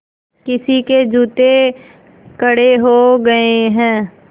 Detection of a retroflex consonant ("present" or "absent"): present